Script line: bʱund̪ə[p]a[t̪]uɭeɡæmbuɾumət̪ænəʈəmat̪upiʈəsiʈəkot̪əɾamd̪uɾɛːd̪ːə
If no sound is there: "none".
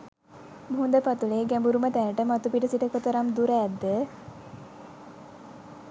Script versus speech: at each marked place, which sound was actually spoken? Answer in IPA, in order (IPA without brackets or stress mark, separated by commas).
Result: p, t̪